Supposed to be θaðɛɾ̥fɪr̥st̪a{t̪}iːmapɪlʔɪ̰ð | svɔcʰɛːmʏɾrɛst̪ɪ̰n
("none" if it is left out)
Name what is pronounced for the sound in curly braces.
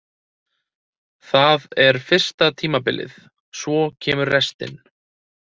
t̪ʰ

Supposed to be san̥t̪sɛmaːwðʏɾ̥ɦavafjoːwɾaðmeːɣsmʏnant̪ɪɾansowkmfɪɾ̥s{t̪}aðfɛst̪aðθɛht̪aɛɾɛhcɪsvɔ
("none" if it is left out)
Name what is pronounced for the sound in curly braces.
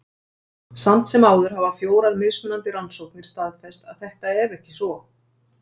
t̪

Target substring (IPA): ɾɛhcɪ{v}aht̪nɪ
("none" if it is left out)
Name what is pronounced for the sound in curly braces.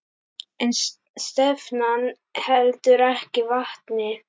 v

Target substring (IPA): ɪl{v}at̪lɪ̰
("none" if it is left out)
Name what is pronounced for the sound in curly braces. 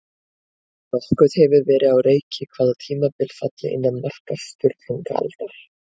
f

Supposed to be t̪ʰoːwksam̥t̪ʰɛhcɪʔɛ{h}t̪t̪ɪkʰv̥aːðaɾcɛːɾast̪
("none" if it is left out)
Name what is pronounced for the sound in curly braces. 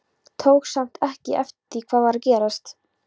f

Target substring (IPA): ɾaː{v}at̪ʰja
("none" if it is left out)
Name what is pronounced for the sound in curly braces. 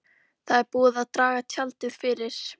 ɣ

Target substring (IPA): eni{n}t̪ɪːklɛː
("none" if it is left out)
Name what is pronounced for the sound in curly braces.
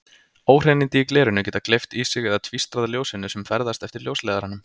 n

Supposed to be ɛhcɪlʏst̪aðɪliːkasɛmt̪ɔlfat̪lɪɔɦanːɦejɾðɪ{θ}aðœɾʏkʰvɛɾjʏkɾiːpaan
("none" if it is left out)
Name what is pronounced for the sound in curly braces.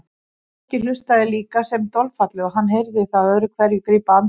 θ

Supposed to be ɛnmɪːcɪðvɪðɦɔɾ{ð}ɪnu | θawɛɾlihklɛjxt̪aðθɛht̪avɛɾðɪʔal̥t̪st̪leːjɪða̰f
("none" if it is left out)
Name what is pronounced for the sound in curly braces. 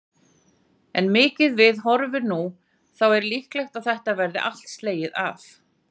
v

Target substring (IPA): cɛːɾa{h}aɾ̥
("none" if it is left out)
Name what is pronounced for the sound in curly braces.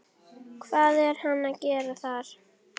θ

